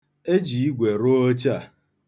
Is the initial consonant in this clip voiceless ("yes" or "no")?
no